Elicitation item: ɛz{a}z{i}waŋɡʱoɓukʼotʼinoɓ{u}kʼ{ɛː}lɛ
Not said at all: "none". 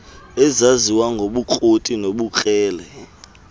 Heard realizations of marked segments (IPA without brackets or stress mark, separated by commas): a, i, u, ɛː